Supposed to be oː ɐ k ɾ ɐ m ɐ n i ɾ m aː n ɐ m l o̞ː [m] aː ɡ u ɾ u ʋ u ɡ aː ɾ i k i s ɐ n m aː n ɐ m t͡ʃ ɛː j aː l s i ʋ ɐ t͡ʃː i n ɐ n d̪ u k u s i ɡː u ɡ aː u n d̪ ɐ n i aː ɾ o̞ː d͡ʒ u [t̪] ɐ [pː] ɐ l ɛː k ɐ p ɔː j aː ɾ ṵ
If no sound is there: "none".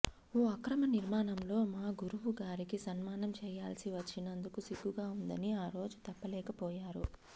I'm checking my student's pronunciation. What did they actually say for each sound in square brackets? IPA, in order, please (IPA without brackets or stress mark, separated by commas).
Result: m, t̪, pː